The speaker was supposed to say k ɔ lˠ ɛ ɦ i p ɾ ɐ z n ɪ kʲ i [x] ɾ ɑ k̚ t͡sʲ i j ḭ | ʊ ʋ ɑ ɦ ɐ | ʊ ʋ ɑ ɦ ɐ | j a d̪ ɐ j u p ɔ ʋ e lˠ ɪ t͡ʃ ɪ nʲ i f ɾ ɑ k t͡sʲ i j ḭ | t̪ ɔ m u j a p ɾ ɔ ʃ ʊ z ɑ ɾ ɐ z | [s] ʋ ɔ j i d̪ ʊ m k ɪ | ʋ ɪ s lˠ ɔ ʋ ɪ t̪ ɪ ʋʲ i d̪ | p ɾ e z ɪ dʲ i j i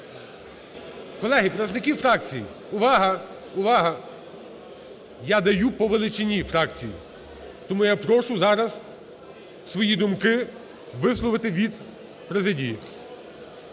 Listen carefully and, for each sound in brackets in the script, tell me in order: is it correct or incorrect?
incorrect: f, correct

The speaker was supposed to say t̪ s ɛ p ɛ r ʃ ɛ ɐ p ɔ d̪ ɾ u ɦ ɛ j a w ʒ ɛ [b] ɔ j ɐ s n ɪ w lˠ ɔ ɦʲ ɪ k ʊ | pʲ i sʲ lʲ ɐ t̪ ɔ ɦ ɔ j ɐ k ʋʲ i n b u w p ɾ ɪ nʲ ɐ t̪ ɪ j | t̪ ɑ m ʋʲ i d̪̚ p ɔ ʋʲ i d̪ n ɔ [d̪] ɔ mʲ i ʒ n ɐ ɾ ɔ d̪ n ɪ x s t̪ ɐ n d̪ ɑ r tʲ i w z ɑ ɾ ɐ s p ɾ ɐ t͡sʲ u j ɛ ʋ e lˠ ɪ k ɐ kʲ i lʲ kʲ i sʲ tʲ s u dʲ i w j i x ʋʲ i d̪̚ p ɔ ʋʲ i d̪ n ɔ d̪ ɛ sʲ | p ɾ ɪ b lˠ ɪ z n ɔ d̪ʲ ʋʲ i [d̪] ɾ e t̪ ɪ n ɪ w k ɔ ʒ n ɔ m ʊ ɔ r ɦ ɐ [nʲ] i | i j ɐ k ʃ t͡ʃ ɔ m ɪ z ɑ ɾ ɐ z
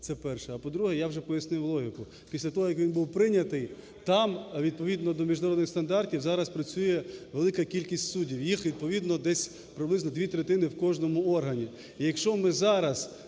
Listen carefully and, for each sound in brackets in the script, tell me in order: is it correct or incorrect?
incorrect: p, correct, incorrect: t̪, correct

